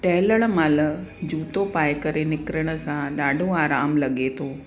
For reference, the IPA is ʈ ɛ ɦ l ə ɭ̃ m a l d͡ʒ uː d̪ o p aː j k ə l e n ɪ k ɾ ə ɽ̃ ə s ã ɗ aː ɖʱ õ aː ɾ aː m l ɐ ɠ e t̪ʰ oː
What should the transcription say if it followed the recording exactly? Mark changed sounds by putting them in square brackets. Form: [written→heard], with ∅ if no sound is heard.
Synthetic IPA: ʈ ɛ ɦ l ə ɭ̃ m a l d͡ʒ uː [d̪→t̪] o p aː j k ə [l→ɾ] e n ɪ k ɾ ə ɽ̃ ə s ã ɗ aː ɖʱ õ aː ɾ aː m l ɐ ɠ e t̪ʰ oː

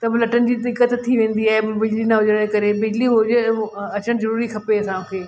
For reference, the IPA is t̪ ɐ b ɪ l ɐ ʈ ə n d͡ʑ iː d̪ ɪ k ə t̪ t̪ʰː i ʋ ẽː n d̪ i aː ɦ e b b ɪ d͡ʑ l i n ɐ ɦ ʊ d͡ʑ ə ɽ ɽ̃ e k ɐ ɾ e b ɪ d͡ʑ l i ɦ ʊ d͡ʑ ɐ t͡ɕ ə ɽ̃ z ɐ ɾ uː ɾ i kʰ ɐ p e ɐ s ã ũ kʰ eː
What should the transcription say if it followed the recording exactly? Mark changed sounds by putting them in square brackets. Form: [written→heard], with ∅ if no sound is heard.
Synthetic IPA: t̪ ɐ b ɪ l ɐ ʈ ə n d͡ʑ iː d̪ ɪ k ə t̪ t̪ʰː i ʋ ẽː n d̪ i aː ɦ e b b ɪ d͡ʑ l i n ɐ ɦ ʊ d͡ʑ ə ɽ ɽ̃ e k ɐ ɾ e b ɪ d͡ʑ l i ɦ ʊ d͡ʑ ɐ t͡ɕ ə ɽ̃ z ɐ ɾ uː ɾ i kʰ ɐ p e ɐ s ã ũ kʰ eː

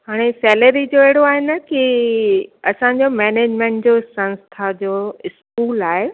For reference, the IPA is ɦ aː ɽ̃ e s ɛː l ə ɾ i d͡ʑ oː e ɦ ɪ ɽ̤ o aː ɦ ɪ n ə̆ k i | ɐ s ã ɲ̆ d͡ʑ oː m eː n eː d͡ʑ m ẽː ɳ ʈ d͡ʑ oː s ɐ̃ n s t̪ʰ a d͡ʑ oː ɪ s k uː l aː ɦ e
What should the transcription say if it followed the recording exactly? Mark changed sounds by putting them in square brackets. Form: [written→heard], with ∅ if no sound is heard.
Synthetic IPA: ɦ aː ɽ̃ e s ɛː l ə ɾ i d͡ʑ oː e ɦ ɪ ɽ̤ o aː ɦ ɪ n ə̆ k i | ɐ s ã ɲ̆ d͡ʑ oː m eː n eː d͡ʑ m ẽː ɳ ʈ d͡ʑ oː s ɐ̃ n s t̪ʰ a d͡ʑ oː ɪ s k uː l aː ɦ e

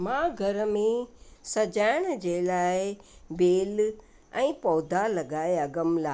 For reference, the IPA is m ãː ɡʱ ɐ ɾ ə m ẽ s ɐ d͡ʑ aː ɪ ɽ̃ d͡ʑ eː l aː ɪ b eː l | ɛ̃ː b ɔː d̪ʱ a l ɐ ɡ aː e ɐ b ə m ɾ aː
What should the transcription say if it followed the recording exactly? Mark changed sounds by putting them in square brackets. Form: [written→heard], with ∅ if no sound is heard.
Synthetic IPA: m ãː ɡʱ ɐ ɾ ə m ẽ s ɐ d͡ʑ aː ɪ ɽ̃ d͡ʑ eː l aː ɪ b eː l | ɛ̃ː [b→p] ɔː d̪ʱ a l ɐ ɡ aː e ɐ [b→ɡ] ə m [ɾ→l] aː

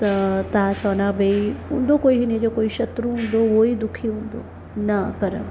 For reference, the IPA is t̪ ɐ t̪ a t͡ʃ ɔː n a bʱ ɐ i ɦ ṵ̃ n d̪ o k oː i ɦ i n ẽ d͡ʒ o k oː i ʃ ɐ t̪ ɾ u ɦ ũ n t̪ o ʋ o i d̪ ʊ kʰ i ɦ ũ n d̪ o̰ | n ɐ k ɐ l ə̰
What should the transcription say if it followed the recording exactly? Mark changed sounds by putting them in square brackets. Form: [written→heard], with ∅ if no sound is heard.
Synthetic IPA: t̪ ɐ t̪ a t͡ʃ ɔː n a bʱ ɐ i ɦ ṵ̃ n d̪ o k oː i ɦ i n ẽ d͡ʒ o k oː i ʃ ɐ t̪ ɾ u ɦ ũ n [t̪→d̪] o ʋ o i d̪ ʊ kʰ i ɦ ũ n d̪ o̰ | n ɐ k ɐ [l→ɾ] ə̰

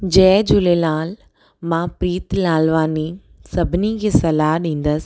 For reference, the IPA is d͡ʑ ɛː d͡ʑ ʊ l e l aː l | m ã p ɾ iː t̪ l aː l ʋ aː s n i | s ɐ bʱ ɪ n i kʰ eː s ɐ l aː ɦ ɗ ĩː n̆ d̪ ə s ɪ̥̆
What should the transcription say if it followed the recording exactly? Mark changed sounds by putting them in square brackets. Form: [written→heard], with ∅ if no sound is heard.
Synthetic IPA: d͡ʑ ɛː d͡ʑ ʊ l e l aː l | m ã p ɾ iː t̪ l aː l ʋ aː [s→∅] n i | s ɐ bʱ ɪ n i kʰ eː s ɐ l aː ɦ ɗ ĩː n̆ d̪ ə s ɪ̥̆

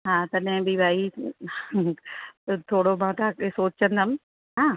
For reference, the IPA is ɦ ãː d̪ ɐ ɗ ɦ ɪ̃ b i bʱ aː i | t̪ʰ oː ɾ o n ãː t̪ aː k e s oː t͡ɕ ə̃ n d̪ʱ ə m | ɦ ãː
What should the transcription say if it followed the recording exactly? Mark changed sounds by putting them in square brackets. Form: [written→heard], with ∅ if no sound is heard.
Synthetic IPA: ɦ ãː [d̪→t̪] ɐ ɗ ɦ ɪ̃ b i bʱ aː i | t̪ʰ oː [ɾ→ɽ] o [n→m] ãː t̪ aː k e s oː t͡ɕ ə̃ n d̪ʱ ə m | ɦ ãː

